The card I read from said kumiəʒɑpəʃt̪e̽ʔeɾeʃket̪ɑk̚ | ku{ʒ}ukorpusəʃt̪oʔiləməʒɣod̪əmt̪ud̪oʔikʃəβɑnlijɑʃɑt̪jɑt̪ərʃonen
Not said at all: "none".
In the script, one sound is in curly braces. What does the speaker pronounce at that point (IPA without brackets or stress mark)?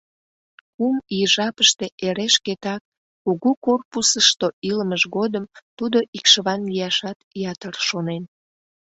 ɣ